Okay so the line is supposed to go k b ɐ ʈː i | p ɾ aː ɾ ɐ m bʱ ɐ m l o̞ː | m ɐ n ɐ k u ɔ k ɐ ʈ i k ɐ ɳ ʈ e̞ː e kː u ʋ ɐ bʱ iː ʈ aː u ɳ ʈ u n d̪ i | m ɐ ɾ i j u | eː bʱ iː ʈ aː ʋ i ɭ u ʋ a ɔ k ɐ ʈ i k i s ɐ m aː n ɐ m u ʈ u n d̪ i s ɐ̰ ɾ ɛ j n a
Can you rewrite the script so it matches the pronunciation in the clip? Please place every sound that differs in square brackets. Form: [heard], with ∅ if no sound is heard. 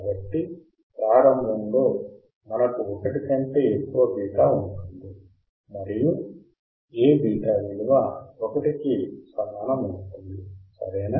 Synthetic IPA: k b ɐ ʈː i | p ɾ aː ɾ ɐ m bʱ ɐ m l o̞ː | m ɐ n ɐ k u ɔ k ɐ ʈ i k ɐ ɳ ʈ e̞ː e kː u ʋ ɐ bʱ iː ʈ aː u ɳ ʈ u n d̪ i | m ɐ ɾ i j u | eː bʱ iː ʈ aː ʋ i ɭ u ʋ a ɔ k ɐ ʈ i k i s ɐ m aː n ɐ m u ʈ u n d̪ i s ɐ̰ ɾ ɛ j n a